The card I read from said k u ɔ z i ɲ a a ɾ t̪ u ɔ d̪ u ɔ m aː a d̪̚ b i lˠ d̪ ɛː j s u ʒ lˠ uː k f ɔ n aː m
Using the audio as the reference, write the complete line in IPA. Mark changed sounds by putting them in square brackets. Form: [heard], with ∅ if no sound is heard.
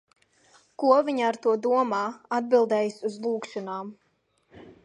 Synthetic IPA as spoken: k u ɔ [v] i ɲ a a ɾ t̪ u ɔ d̪ u ɔ m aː a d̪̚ b i lˠ d̪ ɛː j s u [z] lˠ uː k [ʃ] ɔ n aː m